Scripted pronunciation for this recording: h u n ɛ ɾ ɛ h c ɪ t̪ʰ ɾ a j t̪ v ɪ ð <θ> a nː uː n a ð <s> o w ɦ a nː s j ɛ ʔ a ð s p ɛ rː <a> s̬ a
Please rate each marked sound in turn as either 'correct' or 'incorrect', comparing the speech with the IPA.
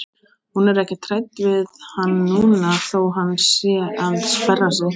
incorrect: h, incorrect: θ, correct

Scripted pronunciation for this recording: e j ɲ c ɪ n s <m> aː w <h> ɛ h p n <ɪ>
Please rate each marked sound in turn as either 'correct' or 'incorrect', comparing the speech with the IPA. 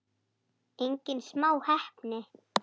correct, correct, correct

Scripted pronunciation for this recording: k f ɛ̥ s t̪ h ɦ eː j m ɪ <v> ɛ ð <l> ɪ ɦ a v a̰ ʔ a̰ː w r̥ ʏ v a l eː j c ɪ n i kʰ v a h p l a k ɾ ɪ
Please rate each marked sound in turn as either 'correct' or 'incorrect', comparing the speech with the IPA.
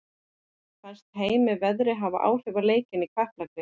correct, incorrect: ɾ

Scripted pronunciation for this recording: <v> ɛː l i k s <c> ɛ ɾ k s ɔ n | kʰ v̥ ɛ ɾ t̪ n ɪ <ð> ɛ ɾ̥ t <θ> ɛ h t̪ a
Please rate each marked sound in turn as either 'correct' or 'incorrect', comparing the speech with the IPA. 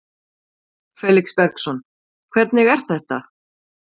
incorrect: f, incorrect: p, incorrect: ɣ, correct

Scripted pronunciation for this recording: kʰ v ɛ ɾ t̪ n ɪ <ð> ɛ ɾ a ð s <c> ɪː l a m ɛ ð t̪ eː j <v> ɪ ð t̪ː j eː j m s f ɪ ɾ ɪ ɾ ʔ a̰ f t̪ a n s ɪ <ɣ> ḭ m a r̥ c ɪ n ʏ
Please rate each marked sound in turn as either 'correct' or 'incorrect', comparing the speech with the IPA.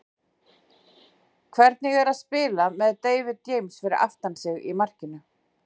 incorrect: ɣ, incorrect: p, correct, correct

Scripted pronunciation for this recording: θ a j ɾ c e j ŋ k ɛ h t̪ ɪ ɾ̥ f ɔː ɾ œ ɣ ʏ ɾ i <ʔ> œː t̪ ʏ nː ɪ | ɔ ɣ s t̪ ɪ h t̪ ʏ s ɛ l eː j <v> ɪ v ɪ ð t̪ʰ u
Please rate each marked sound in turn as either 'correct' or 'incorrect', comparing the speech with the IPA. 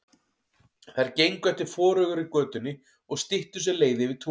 incorrect: k, incorrect: ð

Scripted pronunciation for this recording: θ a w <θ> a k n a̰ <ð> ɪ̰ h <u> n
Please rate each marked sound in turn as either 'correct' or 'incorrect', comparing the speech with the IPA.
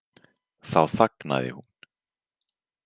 correct, correct, correct

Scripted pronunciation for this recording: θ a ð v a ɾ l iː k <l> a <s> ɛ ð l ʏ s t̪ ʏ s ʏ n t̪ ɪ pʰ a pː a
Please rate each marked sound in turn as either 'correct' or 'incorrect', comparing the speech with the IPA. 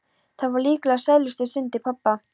correct, correct

